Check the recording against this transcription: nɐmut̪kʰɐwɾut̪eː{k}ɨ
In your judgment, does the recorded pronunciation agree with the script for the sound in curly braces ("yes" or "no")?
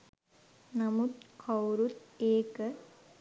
yes